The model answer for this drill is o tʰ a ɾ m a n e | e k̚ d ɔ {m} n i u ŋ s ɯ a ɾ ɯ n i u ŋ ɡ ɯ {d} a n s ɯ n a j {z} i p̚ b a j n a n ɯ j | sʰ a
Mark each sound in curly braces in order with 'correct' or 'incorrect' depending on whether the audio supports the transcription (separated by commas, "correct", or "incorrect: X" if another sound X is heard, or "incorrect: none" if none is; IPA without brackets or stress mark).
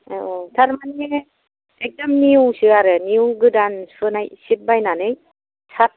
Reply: correct, correct, incorrect: s